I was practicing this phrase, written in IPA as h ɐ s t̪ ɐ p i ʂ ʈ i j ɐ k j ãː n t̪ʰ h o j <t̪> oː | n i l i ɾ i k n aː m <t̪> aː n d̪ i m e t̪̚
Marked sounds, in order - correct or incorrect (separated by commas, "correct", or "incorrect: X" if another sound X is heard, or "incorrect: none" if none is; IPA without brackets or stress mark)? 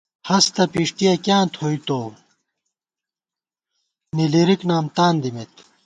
correct, correct